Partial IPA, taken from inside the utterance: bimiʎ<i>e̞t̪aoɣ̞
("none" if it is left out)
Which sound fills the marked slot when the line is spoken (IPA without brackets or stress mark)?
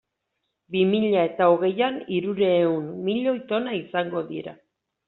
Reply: a